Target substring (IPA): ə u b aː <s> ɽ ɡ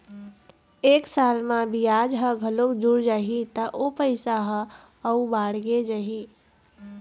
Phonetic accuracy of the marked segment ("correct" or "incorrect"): incorrect